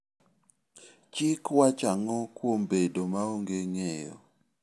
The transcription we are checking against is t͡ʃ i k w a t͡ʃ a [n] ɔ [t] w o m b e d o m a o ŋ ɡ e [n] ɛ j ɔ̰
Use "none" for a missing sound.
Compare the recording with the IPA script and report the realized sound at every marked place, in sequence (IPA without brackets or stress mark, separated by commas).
ŋ, k, ŋ